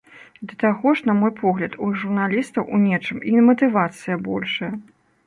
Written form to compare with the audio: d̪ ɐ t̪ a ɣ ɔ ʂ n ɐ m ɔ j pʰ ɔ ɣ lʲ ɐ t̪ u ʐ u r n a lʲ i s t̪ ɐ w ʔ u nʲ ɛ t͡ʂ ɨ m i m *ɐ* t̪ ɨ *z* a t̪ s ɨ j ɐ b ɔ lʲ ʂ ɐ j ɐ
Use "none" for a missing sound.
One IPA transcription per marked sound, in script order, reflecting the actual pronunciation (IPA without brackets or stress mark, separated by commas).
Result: ɐ, v